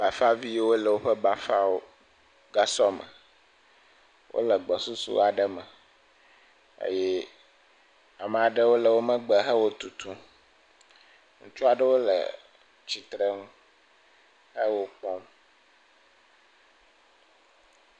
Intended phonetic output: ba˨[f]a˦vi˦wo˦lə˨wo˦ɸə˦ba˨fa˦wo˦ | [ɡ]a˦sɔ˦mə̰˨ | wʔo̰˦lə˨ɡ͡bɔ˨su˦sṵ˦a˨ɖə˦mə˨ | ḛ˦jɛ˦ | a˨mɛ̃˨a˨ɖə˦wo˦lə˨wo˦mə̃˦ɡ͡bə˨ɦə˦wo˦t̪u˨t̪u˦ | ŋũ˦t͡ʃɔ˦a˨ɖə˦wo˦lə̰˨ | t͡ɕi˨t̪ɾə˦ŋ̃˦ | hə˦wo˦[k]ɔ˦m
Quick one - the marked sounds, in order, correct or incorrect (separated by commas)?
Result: correct, correct, incorrect